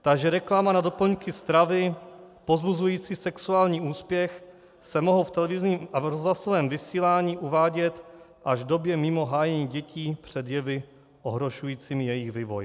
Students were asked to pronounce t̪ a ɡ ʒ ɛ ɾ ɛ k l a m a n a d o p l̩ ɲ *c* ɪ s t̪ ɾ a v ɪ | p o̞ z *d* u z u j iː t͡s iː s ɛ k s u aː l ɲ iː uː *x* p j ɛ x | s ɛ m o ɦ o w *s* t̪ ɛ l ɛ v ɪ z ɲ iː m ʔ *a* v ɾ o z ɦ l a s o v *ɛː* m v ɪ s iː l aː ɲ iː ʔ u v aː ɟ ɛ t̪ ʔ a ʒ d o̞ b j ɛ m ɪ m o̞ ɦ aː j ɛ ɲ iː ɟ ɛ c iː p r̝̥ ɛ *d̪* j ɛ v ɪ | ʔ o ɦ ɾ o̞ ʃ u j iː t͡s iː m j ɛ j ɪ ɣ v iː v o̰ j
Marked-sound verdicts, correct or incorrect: incorrect: k, incorrect: b, incorrect: s, incorrect: f, correct, correct, correct

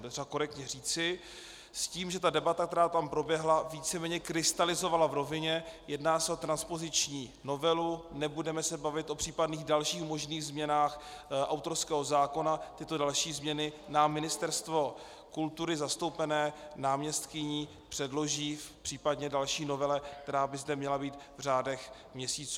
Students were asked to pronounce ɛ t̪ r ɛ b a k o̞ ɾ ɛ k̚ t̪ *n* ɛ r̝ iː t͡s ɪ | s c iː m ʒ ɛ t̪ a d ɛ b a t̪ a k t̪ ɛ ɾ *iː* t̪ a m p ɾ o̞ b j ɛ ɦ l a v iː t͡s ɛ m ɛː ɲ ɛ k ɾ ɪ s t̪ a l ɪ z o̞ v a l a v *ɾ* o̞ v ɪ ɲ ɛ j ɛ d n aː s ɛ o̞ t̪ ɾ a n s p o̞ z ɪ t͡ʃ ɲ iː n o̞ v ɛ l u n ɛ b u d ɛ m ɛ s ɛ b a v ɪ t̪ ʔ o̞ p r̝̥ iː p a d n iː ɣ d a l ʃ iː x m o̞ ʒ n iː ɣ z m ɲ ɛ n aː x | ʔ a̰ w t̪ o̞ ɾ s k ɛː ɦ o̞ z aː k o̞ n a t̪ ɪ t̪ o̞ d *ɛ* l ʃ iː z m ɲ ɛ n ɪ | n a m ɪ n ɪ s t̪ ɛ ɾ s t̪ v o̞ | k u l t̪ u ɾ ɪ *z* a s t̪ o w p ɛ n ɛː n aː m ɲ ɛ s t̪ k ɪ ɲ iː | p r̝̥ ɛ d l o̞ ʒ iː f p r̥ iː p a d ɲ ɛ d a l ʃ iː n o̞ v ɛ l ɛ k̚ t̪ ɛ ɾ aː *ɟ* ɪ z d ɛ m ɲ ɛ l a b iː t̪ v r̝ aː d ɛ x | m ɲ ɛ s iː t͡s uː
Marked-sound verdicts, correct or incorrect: incorrect: ɲ, incorrect: aː, correct, incorrect: a, correct, incorrect: b

